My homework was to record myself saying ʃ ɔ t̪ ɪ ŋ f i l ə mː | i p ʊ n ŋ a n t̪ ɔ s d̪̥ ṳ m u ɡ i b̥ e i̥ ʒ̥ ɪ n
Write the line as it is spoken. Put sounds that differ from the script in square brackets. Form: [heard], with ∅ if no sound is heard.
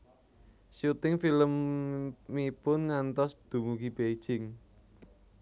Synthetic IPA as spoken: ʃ [u] t̪ ɪ ŋ f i l ə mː | i p ʊ n ŋ a n t̪ ɔ s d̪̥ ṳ m u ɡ i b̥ e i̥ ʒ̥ ɪ [ŋ]